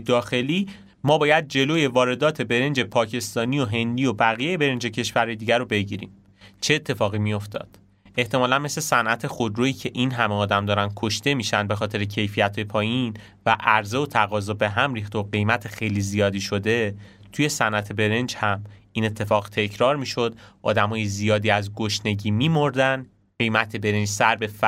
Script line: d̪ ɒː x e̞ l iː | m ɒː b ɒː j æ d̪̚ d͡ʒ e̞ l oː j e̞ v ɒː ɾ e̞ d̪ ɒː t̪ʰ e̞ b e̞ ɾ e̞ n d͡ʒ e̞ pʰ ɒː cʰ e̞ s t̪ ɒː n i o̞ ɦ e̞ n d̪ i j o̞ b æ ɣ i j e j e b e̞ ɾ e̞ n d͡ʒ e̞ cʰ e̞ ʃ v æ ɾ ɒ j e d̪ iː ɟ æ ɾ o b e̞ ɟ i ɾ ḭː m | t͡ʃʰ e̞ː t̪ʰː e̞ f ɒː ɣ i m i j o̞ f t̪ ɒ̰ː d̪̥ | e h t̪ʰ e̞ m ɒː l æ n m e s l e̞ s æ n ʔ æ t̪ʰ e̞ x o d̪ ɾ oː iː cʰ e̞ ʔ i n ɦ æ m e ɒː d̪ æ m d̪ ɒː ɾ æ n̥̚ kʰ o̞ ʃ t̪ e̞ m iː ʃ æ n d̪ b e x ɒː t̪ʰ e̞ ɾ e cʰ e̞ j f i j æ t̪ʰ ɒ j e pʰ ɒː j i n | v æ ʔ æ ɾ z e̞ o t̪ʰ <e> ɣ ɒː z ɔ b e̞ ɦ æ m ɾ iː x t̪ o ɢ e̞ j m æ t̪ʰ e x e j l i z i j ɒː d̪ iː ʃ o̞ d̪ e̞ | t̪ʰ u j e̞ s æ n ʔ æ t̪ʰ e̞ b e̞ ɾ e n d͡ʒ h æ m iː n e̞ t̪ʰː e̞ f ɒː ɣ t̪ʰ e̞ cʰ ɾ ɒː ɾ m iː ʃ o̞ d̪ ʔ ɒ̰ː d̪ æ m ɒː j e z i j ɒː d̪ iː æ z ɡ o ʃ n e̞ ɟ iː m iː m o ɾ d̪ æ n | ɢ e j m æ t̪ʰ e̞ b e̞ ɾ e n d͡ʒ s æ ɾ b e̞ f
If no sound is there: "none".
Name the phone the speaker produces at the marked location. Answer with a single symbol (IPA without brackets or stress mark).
æ